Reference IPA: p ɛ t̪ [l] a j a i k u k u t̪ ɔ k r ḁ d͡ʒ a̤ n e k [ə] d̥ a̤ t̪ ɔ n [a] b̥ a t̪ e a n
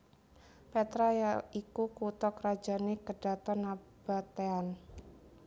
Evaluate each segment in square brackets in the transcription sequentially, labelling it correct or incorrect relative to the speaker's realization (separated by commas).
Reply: incorrect, correct, correct